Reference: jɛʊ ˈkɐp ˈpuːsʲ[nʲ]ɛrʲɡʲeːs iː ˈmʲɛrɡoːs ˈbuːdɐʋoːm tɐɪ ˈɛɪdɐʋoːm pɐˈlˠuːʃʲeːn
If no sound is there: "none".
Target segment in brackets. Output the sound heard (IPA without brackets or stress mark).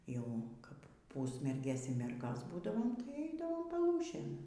mʲ